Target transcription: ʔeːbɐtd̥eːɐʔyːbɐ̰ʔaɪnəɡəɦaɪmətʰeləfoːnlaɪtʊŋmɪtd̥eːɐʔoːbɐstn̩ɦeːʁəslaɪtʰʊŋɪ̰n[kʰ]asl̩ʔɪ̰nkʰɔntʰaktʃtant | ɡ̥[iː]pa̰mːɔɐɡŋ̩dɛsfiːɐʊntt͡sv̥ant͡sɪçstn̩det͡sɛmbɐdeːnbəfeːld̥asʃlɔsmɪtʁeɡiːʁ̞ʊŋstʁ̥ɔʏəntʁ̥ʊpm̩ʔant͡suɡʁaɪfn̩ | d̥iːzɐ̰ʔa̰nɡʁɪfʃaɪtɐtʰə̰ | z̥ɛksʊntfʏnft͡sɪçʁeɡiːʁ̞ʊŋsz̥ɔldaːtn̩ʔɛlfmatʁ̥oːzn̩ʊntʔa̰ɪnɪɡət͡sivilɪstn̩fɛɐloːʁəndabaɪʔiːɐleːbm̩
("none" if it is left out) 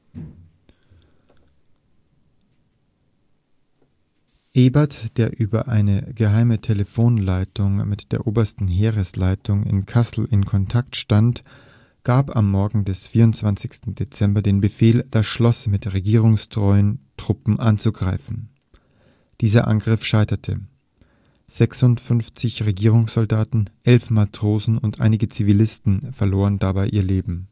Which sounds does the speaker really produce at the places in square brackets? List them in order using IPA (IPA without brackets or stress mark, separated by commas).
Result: kʰ, aː